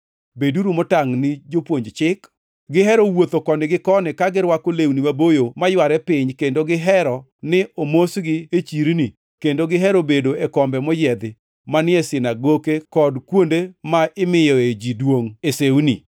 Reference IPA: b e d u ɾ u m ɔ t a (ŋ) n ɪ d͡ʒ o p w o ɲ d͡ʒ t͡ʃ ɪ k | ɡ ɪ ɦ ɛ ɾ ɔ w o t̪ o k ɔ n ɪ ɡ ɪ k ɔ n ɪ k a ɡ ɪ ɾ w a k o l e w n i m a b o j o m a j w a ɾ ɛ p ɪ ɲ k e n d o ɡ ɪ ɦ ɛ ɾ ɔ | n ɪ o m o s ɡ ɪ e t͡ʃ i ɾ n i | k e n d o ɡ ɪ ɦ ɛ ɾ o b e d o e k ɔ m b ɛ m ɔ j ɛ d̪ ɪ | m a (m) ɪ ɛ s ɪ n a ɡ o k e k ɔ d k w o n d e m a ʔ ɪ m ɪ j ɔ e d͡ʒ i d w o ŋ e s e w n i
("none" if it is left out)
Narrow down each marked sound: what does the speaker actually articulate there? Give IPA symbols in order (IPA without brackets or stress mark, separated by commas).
ŋ, n